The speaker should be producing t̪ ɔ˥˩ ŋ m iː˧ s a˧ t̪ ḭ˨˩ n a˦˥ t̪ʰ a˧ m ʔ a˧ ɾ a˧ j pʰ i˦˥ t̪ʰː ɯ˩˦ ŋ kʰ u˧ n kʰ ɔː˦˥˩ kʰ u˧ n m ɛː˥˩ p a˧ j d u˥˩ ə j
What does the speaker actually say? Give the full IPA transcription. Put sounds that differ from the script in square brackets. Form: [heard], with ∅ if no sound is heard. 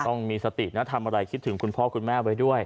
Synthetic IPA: t̪ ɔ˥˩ ŋ m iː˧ s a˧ t̪ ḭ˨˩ n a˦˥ t̪ʰ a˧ m ʔ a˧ ɾ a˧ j [kʰ] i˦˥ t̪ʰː ɯ˩˦ ŋ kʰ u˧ n [pʰ] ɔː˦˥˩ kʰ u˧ n m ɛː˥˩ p a˧ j d u˥˩ ə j

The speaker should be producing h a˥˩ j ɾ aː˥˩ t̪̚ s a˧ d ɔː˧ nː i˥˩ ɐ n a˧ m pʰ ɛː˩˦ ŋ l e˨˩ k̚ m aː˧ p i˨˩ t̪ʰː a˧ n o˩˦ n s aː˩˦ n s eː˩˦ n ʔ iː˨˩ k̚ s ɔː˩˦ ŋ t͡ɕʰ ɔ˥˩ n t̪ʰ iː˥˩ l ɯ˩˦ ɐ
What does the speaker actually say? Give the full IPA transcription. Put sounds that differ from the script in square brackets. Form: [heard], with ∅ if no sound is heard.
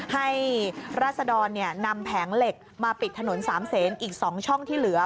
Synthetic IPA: h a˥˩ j ɾ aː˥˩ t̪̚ s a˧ d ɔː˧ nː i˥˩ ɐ n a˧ m pʰ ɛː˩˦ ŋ l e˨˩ k̚ m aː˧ p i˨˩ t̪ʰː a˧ n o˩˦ n s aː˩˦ [m] s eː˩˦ n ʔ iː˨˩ k̚ s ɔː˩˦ ŋ t͡ɕʰ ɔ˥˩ [ŋ] t̪ʰ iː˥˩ l ɯ˩˦ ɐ

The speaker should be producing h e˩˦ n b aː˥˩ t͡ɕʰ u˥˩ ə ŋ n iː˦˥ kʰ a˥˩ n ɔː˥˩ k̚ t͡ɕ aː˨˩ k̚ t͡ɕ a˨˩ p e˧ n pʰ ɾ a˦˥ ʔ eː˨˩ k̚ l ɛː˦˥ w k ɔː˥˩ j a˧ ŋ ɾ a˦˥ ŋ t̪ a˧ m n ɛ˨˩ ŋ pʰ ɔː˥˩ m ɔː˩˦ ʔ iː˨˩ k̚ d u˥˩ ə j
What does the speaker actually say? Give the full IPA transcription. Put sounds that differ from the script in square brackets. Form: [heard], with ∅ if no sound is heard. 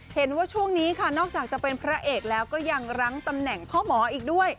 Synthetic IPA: h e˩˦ n [w] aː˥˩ t͡ɕʰ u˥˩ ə ŋ n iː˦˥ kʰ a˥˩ n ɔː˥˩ k̚ t͡ɕ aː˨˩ k̚ t͡ɕ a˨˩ p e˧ n pʰ ɾ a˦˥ ʔ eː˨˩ k̚ l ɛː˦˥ w k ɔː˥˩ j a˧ ŋ ɾ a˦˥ ŋ t̪ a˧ m n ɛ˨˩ ŋ pʰ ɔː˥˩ m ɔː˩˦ ʔ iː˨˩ k̚ d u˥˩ ə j

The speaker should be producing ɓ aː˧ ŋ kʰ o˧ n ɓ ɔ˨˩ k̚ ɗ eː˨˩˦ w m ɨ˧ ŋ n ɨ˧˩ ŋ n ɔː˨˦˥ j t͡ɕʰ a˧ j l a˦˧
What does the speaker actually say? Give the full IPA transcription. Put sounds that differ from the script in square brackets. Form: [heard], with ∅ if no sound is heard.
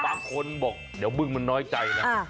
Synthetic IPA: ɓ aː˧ ŋ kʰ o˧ n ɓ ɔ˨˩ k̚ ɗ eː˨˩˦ w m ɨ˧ ŋ [m] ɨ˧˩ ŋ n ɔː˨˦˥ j [t͡ɕ] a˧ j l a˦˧

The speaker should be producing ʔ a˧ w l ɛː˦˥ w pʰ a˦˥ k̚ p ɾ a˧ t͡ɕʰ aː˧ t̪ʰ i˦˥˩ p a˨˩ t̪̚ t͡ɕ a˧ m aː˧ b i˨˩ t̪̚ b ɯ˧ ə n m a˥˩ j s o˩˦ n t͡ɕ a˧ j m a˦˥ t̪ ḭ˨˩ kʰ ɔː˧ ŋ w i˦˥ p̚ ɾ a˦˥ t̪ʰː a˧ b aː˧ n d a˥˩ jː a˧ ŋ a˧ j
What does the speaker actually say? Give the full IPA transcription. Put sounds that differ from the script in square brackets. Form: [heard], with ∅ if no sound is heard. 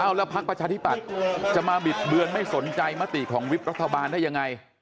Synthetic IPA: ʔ [a˥˩] w l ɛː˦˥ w pʰ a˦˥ k̚ p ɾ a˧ t͡ɕʰ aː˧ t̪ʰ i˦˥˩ p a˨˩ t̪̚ t͡ɕ [a˨˩] m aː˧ b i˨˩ t̪̚ b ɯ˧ ə n m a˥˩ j s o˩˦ n t͡ɕ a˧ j m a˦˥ t̪ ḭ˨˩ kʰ [ɔː˩˦] ŋ w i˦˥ p̚ ɾ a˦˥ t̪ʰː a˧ b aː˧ n d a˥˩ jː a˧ ŋ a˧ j

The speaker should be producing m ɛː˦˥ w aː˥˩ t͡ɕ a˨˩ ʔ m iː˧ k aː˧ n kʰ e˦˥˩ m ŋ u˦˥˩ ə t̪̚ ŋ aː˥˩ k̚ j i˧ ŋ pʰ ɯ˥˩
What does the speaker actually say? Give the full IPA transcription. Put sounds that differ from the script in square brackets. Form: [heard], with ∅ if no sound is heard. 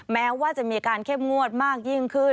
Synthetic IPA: m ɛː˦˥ w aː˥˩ t͡ɕ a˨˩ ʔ m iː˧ k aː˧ n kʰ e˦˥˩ m ŋ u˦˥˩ ə t̪̚ [m] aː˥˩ k̚ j [i˥˩] ŋ [kʰ] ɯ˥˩

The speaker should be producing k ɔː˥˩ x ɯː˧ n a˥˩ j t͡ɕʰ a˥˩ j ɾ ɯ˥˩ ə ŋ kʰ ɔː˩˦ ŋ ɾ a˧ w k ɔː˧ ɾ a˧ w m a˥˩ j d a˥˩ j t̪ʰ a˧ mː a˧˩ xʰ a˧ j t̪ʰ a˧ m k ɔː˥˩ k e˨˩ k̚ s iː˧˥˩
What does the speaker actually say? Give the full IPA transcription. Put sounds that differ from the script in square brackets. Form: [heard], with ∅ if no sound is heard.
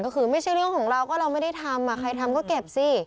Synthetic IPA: k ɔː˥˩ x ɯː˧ [m] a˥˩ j t͡ɕʰ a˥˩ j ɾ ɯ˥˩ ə ŋ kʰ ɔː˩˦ ŋ ɾ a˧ w k [ɔː˥˩] ɾ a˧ w m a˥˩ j d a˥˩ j t̪ʰ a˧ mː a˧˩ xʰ a˧ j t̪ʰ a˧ m k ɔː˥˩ k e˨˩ [p̚] s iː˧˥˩

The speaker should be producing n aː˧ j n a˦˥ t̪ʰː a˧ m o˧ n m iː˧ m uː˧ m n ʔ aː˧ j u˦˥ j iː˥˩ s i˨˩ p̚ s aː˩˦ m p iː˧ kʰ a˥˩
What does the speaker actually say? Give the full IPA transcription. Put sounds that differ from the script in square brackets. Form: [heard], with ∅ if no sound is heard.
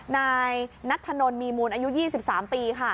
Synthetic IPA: n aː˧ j n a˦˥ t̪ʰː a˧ [n] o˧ n m iː˧ m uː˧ [∅] n ʔ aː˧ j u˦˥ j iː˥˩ s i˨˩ p̚ s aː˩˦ m p iː˧ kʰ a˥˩

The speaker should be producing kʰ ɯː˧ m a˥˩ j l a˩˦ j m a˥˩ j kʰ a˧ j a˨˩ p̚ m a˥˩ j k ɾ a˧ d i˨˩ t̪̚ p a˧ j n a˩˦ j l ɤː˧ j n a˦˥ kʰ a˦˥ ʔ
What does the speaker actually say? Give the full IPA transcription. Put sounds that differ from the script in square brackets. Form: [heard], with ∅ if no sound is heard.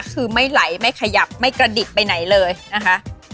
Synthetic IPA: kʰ ɯː˧ m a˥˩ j l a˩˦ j m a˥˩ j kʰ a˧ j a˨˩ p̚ m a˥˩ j k ɾ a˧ d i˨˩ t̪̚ p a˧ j n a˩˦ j l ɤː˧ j n a˦˥ kʰ a˦˥ ʔ

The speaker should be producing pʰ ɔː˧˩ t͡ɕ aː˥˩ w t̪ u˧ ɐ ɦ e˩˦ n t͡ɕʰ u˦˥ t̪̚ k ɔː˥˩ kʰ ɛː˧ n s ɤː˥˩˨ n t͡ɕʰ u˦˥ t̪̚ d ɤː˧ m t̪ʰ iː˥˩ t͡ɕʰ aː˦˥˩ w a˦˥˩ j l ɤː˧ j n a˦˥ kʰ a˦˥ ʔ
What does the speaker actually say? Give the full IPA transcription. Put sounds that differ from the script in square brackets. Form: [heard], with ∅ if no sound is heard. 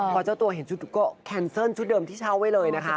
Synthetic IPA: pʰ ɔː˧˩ t͡ɕ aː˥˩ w t̪ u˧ ɐ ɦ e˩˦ n t͡ɕʰ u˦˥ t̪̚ k ɔː˥˩ kʰ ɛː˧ n s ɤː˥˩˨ n t͡ɕʰ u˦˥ t̪̚ d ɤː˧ m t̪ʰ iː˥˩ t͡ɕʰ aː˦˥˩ w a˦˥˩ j l ɤː˧ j n a˦˥ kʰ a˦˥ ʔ

